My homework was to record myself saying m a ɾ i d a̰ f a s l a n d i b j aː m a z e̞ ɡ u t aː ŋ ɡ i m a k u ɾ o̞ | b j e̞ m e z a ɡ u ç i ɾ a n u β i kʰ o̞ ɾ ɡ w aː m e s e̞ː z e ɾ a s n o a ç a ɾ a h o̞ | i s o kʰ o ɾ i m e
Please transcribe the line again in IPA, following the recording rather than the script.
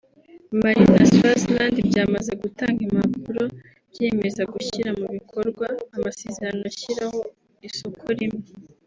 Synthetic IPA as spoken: m a ɾ i n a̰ s a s l a n d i b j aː m a z e̞ ɡ u t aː ŋ ɡ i m a p u ɾ o̞ | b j e̞ m e z a ɡ u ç i ɾ a m u β i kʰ o̞ ɾ ɡ w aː m a s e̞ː z e ɾ a n o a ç i ɾ a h o̞ | i s o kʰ o ɾ i m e